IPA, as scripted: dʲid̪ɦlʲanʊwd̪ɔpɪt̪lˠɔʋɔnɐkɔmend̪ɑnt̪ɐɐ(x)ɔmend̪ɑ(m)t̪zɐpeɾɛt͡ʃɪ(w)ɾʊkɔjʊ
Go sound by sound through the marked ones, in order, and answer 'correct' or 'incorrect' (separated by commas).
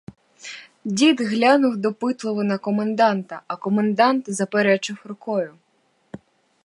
incorrect, incorrect, correct